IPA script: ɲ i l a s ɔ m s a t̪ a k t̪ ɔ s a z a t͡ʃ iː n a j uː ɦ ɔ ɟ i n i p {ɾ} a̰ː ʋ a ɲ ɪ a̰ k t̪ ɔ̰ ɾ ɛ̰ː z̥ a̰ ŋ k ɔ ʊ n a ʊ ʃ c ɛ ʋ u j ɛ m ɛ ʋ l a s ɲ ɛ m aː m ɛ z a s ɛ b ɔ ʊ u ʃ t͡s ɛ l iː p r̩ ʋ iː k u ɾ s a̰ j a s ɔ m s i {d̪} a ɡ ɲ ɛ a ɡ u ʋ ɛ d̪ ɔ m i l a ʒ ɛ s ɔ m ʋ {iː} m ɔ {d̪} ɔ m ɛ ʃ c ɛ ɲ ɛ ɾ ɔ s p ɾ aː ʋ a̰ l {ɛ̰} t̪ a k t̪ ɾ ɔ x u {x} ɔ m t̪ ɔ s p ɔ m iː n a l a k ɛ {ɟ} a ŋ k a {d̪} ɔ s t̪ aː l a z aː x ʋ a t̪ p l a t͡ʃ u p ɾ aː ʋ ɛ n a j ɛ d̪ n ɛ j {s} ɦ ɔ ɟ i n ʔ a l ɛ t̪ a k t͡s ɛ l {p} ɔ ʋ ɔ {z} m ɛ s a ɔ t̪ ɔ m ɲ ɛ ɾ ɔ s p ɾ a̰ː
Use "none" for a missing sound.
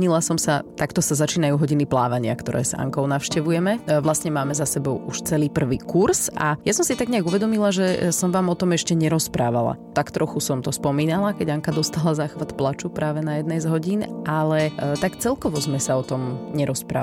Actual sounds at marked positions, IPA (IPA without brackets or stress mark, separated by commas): l, t̪, aː, t̪, a̰, s, ɟ, d̪, z, k, z